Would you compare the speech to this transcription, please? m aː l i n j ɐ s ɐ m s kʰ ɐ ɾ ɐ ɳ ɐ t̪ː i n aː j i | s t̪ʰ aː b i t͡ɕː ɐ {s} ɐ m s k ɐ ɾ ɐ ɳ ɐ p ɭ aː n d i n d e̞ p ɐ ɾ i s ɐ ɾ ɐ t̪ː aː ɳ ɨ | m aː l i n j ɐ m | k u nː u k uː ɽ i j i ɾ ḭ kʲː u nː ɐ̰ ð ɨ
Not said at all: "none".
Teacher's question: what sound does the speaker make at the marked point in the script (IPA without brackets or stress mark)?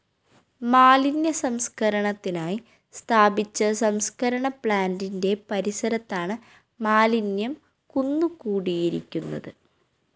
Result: s